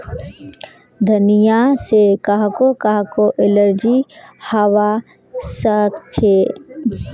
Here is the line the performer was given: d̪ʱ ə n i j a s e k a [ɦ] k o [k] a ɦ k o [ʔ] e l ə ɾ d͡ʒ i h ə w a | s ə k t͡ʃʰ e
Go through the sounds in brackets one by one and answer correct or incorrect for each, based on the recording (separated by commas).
correct, correct, correct